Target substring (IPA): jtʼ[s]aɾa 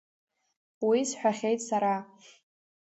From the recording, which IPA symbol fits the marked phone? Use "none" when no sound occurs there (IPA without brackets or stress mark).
s